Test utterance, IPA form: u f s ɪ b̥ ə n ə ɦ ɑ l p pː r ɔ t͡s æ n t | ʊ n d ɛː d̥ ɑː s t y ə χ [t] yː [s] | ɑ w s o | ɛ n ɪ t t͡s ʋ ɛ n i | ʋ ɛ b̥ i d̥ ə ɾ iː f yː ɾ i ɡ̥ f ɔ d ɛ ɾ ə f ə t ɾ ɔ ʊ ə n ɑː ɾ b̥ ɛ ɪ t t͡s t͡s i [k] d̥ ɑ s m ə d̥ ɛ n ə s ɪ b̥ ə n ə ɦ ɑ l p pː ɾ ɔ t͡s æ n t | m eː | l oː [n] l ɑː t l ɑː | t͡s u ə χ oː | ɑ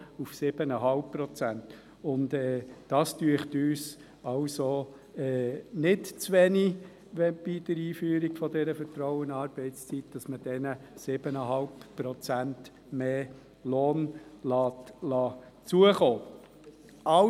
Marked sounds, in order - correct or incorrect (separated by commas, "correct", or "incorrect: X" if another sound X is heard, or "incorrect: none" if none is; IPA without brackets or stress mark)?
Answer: correct, correct, incorrect: t, correct